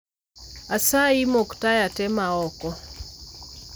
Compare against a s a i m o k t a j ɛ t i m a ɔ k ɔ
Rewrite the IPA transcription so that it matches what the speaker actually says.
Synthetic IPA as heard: a s a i m o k t a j a t ɛ m a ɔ k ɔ